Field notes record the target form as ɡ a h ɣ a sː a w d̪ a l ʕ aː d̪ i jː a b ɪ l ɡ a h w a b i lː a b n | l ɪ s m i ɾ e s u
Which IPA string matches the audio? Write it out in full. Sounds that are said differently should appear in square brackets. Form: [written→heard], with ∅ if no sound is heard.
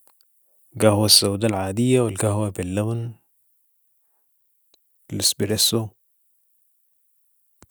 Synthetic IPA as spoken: ɡ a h [ɣ→w] a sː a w d̪ a l ʕ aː d̪ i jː a [b→w] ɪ l ɡ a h w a b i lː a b n | l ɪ s [m→b] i ɾ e s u